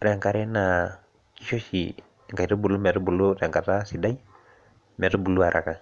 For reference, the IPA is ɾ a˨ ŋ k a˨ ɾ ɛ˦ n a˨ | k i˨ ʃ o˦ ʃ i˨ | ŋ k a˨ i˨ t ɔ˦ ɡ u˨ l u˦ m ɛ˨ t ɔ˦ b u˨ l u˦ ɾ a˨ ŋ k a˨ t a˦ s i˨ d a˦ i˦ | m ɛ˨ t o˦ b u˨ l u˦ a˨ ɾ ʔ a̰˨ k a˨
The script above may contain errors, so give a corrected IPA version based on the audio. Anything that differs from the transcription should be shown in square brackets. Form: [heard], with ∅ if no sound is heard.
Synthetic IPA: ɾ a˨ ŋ k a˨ ɾ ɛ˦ n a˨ | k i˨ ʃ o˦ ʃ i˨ | ŋ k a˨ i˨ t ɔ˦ [b] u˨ l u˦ m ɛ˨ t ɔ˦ b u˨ l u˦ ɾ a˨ ŋ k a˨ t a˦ s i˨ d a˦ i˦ | m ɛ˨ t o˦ b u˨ l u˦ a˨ ɾ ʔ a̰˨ k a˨